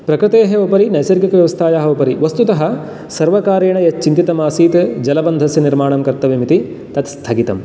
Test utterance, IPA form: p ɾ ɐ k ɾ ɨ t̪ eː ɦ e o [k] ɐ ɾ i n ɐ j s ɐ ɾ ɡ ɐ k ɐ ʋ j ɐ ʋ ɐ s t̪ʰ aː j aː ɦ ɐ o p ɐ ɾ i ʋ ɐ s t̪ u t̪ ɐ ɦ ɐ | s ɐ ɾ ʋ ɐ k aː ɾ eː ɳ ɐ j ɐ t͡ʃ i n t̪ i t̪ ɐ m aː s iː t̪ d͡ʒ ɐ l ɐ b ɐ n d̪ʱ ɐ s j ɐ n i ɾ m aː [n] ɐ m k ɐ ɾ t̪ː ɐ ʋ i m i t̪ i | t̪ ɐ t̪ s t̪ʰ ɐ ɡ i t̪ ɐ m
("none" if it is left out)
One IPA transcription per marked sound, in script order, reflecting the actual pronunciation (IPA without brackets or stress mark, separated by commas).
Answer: p, ɳ